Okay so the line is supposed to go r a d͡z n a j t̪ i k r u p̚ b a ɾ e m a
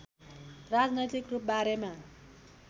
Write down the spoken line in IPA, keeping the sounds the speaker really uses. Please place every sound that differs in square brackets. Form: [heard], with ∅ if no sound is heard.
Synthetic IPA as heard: r a d͡z n [ʌ] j t̪ i k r u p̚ b a ɾ e m a